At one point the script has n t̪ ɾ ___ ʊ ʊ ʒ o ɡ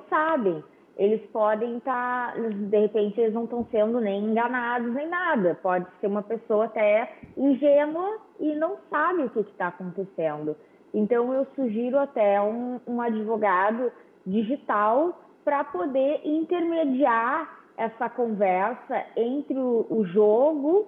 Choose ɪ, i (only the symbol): ɪ